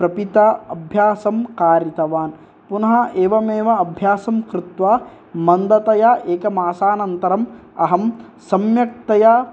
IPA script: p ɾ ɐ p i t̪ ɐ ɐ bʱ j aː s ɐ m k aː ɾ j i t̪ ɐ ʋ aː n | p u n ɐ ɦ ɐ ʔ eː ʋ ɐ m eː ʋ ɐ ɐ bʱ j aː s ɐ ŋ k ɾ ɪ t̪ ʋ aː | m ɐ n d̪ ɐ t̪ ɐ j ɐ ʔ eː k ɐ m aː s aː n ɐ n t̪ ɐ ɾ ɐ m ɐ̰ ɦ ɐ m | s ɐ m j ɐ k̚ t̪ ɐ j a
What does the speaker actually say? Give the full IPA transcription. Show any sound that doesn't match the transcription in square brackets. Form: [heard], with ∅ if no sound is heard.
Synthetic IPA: p ɾ ɐ p i t̪ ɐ ɐ bʱ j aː s ɐ m k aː ɾ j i t̪ ɐ ʋ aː n | p u n ɐ ɦ ɐ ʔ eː ʋ ɐ m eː ʋ ɐ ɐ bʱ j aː s ɐ [m] k ɾ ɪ t̪ ʋ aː | m ɐ n d̪ ɐ t̪ ɐ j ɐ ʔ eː k ɐ m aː s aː n ɐ n t̪ ɐ ɾ ɐ m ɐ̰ ɦ ɐ m | s ɐ m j ɐ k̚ t̪ ɐ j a